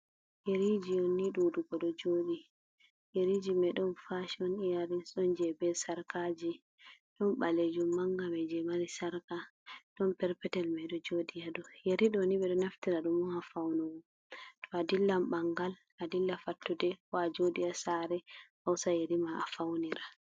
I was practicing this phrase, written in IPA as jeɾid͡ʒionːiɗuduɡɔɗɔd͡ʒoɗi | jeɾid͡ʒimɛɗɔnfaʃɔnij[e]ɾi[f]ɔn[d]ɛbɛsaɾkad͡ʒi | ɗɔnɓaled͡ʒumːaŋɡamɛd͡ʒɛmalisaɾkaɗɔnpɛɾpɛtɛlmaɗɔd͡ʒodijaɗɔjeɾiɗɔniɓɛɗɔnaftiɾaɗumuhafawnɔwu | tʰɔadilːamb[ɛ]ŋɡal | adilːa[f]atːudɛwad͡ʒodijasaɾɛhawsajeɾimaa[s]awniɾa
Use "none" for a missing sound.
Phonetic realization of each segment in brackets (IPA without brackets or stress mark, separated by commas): a, s, d͡ʒ, a, f, f